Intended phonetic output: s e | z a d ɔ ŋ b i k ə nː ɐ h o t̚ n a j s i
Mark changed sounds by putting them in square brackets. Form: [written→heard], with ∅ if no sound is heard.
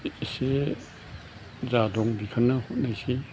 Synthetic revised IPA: s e | z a d ɔ ŋ b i [k→kʰ] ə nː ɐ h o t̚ n a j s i